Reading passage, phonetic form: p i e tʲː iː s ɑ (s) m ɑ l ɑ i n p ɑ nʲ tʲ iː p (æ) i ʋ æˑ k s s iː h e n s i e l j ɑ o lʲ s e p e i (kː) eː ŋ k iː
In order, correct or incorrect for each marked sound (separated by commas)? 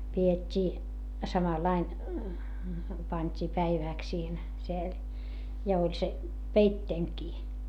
incorrect, correct, incorrect